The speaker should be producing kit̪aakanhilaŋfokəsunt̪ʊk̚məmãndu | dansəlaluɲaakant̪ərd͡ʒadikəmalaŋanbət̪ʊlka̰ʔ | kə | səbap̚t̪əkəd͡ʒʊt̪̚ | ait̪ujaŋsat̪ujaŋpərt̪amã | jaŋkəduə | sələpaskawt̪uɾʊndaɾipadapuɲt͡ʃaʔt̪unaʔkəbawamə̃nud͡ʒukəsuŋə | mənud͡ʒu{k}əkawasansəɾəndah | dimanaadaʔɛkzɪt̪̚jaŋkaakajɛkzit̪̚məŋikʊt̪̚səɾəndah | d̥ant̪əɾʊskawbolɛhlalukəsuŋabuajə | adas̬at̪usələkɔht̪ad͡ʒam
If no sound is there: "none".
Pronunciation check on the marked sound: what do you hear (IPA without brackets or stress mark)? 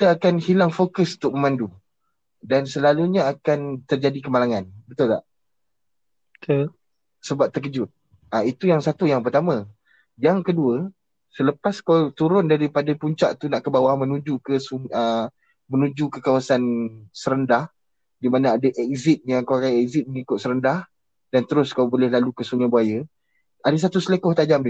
k